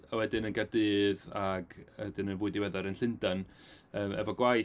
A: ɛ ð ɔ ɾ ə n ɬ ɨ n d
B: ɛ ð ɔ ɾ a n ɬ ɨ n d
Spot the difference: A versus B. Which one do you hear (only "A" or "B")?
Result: A